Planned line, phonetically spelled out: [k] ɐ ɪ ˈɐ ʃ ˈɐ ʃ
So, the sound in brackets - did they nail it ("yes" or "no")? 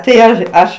no